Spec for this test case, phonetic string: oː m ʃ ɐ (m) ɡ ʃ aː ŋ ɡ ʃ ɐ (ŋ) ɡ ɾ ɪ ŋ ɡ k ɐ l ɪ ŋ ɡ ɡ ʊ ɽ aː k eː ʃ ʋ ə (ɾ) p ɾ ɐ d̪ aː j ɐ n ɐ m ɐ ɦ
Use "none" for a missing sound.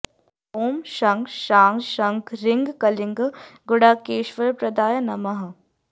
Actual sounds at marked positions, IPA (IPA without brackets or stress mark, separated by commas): ŋ, ŋ, ɾ